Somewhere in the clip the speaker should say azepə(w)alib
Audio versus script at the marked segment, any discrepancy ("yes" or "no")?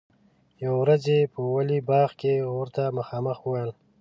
no